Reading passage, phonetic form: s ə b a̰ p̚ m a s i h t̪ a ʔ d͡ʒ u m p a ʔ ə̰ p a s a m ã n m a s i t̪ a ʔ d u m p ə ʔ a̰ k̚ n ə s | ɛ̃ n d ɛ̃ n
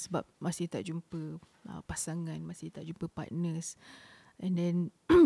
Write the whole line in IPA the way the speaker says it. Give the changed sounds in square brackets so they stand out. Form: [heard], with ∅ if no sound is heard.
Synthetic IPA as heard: s ə b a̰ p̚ m a s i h t̪ a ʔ d͡ʒ u m p [ə] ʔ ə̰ p a s a [ŋ] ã n m a s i t̪ a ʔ [d͡ʒ] u m p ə [p] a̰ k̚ n ə s | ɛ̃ n d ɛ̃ n